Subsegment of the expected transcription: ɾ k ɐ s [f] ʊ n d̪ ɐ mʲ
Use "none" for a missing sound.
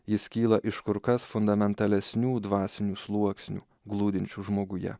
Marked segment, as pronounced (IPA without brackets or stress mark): f